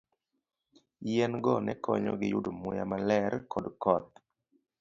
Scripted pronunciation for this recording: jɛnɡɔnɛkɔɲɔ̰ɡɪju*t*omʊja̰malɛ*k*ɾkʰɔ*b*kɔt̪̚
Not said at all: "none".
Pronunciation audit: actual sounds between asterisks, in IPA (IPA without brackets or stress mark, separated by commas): d, none, d